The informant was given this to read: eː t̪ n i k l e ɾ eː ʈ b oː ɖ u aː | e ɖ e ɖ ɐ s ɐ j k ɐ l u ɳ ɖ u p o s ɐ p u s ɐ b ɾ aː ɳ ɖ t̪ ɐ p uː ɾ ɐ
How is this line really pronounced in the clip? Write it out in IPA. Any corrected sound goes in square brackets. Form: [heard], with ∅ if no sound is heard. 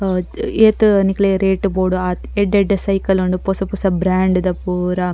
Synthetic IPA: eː t̪ n i k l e ɾ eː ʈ b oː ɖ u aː | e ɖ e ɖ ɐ s ɐ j k ɐ l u ɳ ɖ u p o s ɐ p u s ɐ b ɾ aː ɳ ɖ [d̪] ɐ p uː ɾ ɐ

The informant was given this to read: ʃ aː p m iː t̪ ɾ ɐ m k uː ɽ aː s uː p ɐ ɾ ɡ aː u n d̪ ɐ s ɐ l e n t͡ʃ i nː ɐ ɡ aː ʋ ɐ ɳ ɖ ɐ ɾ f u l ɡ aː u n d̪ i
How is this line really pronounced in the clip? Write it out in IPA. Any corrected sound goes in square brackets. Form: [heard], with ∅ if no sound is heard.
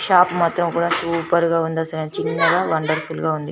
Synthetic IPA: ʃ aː p m [aː] t̪ ɾ ɐ m k uː ɽ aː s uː p ɐ ɾ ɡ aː u n d̪ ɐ s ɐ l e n t͡ʃ i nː ɐ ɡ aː ʋ ɐ ɳ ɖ ɐ ɾ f u l ɡ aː u n d̪ i

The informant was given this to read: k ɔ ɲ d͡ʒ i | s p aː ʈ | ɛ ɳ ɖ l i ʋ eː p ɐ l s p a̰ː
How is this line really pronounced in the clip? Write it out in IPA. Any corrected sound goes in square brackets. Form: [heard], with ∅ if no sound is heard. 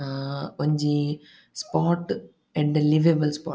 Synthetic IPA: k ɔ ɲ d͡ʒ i | s p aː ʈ | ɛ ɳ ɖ l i ʋ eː [b] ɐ l s p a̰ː

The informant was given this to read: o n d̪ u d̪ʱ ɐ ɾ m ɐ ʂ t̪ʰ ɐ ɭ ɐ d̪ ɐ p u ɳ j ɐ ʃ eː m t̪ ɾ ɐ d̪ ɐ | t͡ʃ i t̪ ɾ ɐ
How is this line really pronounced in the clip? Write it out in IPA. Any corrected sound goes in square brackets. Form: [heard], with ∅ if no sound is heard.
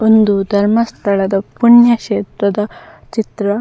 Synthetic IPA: o n d̪ u d̪ʱ ɐ ɾ m ɐ [s] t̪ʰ ɐ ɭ ɐ d̪ ɐ p u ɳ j ɐ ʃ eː [∅] t̪ ɾ ɐ d̪ ɐ | t͡ʃ i t̪ ɾ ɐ

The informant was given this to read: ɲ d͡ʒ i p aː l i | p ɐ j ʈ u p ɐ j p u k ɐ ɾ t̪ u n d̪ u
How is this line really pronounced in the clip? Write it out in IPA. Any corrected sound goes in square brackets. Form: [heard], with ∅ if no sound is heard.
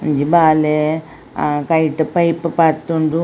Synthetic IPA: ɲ d͡ʒ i [b] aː l [e] | [k] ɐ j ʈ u p ɐ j p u [p] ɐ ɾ t̪ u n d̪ u

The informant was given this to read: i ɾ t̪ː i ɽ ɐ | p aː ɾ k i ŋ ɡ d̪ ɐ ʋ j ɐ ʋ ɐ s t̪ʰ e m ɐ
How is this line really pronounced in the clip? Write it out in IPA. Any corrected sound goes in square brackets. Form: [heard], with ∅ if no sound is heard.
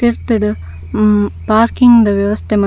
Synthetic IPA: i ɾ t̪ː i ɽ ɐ | p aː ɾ k i ŋ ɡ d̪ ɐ ʋ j ɐ ʋ ɐ s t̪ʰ e m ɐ

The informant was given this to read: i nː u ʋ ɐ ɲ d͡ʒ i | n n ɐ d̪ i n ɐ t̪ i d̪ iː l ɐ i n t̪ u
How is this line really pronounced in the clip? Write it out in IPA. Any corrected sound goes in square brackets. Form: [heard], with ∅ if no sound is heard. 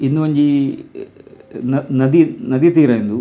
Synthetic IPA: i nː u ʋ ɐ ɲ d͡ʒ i | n n ɐ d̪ i n ɐ [d̪] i [t̪] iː [ɾ] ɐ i n [d̪] u

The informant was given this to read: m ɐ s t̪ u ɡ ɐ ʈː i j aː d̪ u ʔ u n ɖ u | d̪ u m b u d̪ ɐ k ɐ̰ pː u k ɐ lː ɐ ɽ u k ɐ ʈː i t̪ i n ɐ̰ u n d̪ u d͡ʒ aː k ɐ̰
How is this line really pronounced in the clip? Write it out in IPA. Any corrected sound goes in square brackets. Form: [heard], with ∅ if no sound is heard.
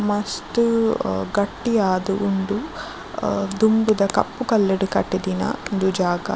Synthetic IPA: m ɐ s t̪ u ɡ ɐ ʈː i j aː d̪ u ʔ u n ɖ u | d̪ u m b u d̪ ɐ k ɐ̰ pː u k ɐ lː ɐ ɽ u k ɐ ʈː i [d̪] i n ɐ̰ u n d̪ u d͡ʒ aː [ɡ] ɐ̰

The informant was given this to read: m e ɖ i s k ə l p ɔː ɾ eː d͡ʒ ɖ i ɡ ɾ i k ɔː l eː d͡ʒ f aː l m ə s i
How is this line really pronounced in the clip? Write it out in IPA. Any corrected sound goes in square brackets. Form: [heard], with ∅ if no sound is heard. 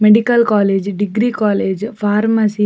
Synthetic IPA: m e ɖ i [∅] k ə l [k] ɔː [l] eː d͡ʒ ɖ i ɡ ɾ i k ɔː l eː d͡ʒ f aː [ɾ] m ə s i

